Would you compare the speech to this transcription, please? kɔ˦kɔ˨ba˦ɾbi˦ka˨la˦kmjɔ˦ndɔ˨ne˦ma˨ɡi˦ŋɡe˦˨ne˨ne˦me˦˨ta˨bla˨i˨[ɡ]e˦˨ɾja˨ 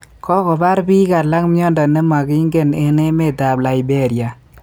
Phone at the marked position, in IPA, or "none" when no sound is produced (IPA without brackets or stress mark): b